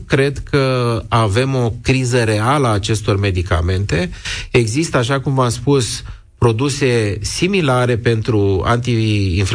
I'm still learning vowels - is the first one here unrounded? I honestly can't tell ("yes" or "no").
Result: yes